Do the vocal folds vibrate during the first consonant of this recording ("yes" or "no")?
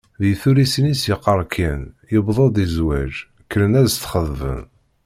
yes